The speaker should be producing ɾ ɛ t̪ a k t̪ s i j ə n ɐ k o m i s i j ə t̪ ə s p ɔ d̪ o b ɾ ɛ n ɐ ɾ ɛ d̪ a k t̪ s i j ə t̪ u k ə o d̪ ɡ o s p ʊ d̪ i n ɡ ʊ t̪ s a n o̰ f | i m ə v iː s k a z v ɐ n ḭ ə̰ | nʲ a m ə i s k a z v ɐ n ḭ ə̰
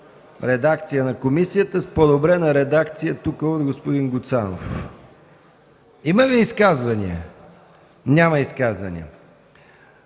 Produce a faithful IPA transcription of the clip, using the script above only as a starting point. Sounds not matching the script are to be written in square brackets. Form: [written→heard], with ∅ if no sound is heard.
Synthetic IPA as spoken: ɾ ɛ [t̪→d̪] a k t̪ s i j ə n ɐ k o m i s i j ə t̪ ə s p [ɔ→o] d̪ o b ɾ ɛ n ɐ ɾ ɛ d̪ a k t̪ s i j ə t̪ u k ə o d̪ ɡ o s p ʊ d̪ i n ɡ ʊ t̪ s a n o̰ f | i m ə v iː s k a z v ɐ n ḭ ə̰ | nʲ a m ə i s k a z v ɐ n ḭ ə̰